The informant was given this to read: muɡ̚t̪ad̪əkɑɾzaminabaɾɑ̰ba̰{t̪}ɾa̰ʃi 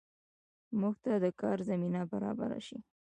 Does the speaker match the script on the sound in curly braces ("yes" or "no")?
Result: no